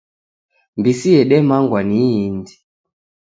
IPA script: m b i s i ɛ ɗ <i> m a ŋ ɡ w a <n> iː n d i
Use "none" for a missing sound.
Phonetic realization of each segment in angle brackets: ɛ, n

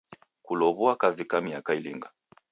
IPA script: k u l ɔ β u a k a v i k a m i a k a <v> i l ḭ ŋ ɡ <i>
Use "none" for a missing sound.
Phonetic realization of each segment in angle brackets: none, a

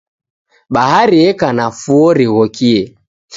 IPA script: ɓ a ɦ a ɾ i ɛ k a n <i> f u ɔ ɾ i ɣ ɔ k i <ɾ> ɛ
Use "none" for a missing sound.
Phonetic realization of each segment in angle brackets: a, none

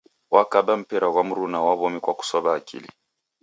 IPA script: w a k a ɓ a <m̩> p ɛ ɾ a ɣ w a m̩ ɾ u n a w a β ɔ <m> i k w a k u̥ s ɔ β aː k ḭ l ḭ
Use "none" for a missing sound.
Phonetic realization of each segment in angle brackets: m̩, m

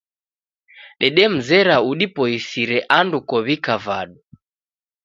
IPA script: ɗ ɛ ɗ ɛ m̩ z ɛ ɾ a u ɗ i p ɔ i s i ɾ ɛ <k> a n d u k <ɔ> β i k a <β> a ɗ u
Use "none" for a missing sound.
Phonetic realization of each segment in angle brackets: ʔ, ɔ, v

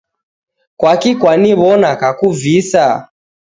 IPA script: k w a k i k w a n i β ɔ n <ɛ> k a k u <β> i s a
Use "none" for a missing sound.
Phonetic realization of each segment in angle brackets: a, v

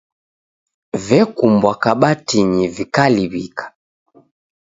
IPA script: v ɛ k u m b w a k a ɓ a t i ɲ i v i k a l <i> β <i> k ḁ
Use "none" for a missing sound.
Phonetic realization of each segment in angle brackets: i, i

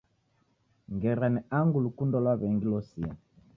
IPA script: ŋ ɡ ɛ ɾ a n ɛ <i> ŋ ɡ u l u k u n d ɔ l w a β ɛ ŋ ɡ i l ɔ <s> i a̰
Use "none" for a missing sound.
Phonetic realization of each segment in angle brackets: a, s

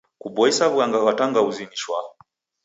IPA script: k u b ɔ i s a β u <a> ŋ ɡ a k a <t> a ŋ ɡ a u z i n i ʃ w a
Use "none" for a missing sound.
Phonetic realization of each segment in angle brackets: a, t

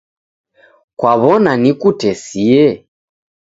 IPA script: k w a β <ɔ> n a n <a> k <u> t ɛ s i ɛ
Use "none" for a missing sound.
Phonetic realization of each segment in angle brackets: ɔ, i, u

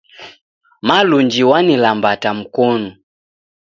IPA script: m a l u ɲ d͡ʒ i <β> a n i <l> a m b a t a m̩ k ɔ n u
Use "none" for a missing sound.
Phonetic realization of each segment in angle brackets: w, l

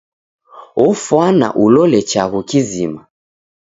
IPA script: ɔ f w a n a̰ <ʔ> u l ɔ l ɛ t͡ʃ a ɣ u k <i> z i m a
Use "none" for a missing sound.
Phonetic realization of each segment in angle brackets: ʔ, i

